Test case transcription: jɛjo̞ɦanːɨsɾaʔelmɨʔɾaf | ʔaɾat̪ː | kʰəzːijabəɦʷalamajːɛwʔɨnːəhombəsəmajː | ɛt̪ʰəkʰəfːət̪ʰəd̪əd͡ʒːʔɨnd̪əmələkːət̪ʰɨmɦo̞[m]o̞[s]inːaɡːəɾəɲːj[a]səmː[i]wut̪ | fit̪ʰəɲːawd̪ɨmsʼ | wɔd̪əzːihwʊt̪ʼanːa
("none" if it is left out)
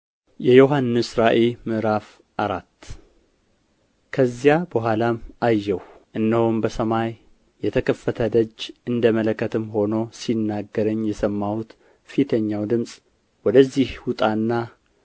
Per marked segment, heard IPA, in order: n, s, ɛ, a

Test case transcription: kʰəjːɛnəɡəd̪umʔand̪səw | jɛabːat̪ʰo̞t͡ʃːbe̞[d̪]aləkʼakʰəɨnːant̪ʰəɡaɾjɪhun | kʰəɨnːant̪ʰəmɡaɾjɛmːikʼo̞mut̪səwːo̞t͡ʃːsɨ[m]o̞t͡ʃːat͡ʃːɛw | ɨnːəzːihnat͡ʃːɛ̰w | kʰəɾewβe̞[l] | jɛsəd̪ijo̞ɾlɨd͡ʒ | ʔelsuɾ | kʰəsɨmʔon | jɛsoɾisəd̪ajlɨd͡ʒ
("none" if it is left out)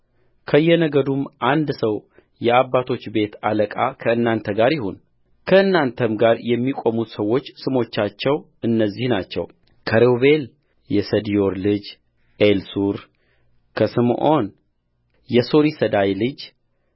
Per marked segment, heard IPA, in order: t̪, m, l

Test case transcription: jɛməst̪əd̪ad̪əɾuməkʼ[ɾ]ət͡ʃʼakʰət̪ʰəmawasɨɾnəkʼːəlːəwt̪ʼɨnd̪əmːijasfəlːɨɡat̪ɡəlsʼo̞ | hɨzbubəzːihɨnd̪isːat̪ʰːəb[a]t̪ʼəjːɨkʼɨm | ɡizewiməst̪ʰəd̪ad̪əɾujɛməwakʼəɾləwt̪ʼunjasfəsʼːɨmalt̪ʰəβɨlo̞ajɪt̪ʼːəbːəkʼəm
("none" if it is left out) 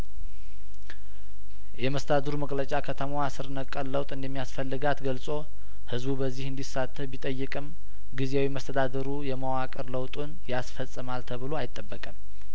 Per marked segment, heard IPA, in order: l, i

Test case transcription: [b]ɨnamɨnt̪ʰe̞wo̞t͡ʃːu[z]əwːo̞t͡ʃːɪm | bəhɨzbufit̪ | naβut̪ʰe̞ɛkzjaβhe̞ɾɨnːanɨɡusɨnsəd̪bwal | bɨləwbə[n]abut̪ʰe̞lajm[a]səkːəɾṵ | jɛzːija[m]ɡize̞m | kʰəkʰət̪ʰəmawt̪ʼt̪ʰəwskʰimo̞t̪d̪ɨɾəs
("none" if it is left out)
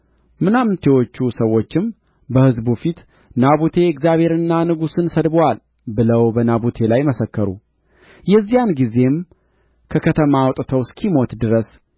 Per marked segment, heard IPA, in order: m, s, n, ə, n

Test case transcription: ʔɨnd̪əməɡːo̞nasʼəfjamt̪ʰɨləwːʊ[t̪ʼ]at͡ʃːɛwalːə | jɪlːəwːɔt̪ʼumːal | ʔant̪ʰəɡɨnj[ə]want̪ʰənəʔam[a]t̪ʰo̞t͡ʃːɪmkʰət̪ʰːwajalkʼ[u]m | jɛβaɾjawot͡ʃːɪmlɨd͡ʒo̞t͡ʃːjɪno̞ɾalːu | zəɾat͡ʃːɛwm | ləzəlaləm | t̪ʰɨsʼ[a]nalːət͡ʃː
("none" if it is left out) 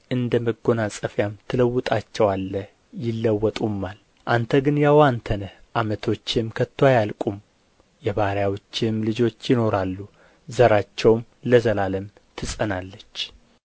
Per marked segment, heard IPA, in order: t̪ʼ, a, ə, u, ə

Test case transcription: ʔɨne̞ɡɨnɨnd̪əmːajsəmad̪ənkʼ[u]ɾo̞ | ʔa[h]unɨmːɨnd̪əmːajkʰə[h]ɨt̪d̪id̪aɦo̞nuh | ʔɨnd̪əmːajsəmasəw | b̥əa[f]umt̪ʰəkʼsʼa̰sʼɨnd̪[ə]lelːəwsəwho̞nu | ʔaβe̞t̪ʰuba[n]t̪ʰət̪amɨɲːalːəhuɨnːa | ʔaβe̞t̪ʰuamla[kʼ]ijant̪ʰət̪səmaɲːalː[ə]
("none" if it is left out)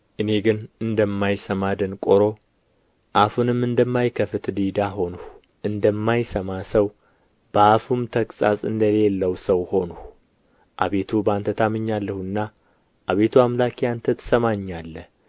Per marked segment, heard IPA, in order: o, f, f, f, ə, n, k, ə

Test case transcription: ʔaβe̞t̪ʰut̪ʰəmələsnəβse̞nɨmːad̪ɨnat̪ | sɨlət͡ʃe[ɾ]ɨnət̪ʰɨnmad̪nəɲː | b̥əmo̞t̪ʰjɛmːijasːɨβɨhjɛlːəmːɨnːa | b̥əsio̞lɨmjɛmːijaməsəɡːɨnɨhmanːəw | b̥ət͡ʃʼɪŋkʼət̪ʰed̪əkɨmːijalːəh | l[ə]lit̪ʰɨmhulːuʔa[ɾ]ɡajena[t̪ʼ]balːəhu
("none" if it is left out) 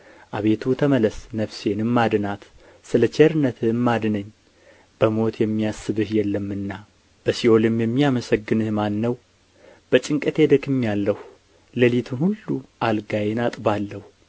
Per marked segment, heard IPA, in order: ɾ, ə, l, t̪ʼ

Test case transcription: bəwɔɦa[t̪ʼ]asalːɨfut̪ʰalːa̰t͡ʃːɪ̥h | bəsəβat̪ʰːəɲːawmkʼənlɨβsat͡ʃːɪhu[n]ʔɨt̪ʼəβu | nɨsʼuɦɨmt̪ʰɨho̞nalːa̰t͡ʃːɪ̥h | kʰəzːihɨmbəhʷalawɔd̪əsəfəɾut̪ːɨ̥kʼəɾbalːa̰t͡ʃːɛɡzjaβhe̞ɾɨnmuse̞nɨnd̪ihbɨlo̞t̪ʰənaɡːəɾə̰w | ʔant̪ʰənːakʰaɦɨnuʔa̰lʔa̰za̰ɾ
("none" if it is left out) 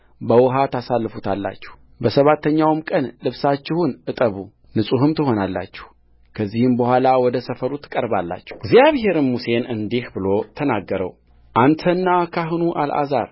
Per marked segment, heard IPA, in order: t̪, n

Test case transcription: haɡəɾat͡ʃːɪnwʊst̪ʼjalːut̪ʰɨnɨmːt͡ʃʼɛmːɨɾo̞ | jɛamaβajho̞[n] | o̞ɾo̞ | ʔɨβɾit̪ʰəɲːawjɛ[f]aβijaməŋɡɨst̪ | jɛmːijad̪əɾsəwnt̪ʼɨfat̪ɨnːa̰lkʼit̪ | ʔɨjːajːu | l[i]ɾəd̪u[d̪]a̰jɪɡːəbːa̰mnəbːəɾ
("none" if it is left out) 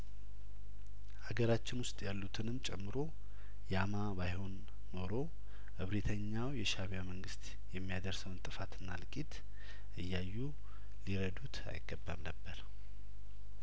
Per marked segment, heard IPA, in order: nː, ʃ, i, t̪

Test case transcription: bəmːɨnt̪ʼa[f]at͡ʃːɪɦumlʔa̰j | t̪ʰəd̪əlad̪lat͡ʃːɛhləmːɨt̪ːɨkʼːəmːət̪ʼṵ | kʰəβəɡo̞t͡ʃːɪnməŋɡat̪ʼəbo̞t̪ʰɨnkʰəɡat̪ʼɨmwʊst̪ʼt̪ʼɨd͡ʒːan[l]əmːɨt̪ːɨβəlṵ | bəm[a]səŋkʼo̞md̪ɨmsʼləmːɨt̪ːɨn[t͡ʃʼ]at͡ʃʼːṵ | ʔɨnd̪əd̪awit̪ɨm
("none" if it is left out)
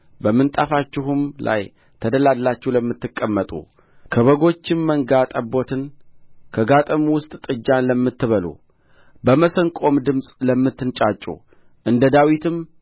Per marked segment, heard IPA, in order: f, l, ə, t͡ʃʼ

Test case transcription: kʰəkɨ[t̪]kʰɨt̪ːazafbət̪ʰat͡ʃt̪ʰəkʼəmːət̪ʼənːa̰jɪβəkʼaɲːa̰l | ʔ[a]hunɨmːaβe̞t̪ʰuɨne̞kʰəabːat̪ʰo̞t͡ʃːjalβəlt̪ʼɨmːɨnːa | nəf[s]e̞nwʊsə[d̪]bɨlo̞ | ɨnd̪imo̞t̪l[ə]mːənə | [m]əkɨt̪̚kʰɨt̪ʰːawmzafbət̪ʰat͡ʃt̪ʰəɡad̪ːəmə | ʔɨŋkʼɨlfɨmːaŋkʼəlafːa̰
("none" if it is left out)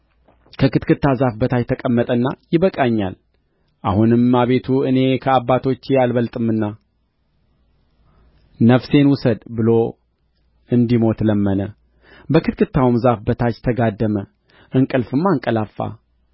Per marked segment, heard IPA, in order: t̪, a, s, d̪, ə, b

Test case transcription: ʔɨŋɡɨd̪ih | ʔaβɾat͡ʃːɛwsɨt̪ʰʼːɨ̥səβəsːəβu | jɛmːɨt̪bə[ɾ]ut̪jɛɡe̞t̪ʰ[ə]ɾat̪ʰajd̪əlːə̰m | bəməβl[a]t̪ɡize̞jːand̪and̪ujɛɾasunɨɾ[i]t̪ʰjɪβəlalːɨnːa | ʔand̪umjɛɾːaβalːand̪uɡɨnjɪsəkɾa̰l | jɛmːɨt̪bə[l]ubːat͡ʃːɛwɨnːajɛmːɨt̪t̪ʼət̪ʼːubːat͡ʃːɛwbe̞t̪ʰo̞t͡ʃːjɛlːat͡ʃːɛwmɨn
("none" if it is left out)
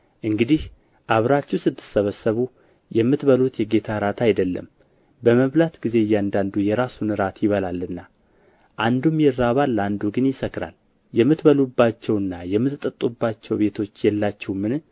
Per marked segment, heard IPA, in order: l, a, a, a, l

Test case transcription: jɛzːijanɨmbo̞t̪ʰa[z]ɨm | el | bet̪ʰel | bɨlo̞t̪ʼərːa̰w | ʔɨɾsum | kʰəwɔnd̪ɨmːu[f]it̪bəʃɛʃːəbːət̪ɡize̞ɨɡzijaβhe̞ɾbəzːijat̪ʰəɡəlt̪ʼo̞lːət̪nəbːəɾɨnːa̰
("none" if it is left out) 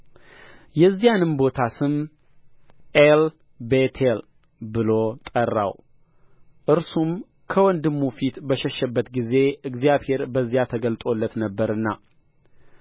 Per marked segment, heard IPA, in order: s, f

